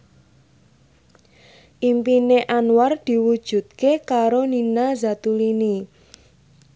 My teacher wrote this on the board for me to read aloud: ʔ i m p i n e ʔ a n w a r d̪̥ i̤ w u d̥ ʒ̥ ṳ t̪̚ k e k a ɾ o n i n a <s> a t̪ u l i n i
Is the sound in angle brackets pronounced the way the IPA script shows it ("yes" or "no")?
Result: no